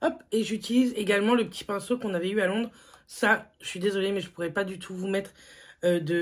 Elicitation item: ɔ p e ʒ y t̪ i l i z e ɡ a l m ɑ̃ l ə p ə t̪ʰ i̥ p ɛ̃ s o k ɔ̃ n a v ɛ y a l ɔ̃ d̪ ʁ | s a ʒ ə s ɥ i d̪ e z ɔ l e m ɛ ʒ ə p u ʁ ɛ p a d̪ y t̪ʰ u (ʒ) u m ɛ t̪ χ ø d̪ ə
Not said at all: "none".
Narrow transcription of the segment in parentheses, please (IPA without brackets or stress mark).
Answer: v